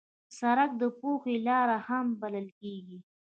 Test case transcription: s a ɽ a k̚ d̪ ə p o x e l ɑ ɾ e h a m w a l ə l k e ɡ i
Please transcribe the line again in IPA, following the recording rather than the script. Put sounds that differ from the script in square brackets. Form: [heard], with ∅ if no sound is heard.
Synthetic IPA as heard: s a [ɾ] a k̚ d̪ ə p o x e l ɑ ɾ [a] h a m [b] a l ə l k e ɡ i